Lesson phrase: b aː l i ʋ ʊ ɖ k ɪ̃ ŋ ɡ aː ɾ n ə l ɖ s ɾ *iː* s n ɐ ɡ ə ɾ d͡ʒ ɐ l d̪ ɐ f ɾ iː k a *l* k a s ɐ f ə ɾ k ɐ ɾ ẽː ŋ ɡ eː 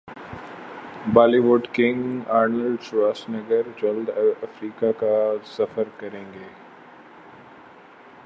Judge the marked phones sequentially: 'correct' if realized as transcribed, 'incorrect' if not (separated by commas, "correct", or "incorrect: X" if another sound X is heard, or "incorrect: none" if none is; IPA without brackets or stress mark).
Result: incorrect: aː, incorrect: none